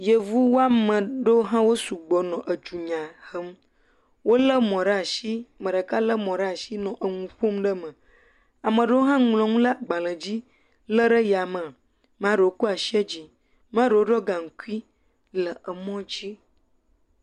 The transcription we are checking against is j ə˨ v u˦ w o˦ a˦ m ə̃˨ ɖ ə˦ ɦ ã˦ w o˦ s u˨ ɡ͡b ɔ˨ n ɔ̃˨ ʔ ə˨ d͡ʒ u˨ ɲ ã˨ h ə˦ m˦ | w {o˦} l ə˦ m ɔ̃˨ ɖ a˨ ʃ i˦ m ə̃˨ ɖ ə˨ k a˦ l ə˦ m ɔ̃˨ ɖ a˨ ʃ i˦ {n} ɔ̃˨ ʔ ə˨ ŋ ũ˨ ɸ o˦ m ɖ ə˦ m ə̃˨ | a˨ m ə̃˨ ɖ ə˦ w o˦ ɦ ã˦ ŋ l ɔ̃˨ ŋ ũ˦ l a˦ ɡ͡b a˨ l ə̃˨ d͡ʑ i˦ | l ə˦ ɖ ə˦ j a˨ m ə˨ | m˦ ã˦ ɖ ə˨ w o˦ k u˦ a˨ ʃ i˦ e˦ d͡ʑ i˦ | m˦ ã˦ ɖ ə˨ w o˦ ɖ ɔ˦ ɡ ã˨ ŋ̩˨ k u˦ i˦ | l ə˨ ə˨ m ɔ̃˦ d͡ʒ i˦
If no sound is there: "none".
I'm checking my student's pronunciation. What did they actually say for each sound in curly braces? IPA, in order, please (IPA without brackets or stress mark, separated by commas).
o˦, n